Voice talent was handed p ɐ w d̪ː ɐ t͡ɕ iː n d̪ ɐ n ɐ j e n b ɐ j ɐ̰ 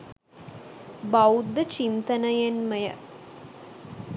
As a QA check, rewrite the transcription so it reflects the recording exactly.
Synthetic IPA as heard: b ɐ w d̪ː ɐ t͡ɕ i n t̪ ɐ n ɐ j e n m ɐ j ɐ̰